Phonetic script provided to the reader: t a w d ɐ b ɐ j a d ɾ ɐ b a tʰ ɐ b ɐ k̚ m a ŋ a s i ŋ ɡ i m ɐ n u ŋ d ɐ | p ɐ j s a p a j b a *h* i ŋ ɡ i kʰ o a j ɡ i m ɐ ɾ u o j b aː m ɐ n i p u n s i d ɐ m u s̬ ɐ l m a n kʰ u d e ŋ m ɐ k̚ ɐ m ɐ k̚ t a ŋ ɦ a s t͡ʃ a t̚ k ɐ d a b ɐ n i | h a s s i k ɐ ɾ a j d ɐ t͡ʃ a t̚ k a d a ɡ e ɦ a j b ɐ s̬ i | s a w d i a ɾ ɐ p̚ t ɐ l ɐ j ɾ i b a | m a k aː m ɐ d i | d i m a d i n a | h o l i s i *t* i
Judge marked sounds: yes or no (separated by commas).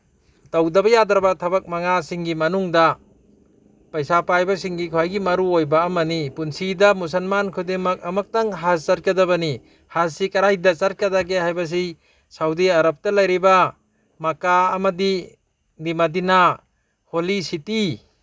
no, yes